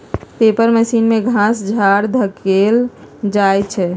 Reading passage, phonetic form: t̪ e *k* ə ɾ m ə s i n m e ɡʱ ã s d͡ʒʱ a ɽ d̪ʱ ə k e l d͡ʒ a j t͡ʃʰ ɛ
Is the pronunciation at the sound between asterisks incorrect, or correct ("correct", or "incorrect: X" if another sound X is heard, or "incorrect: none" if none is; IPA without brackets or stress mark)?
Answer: incorrect: p